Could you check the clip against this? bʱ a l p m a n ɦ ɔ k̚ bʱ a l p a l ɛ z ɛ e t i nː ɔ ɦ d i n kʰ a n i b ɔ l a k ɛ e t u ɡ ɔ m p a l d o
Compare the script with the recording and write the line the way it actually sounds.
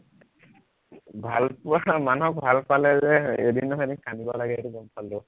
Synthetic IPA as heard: bʱ a l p m a n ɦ ɔ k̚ bʱ a l p a l ɛ z ɛ e d i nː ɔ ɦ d i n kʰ a n i b ɔ l a ɡ ɛ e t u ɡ ɔ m p a l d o

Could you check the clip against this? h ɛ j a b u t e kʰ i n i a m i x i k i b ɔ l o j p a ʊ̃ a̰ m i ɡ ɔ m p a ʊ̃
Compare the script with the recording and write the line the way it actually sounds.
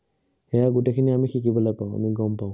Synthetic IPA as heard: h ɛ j a ɡ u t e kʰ i n i a m i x i k i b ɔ l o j p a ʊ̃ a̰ m i ɡ ɔ m p a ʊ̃

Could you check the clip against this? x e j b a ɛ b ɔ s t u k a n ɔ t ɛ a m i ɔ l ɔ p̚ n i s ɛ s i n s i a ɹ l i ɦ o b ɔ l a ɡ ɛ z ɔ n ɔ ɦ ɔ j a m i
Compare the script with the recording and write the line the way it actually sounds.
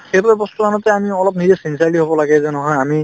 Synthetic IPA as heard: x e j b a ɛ b ɔ s t u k a n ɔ t ɛ a m i ɔ l ɔ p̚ n i z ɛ s i n s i a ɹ l i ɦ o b ɔ l a ɡ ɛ z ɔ n ɔ ɦ ɔ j a m i

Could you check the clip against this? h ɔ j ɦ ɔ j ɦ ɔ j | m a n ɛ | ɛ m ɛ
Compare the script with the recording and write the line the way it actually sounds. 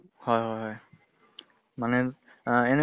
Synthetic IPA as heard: h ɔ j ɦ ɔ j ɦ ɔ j | m a n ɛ | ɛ n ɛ

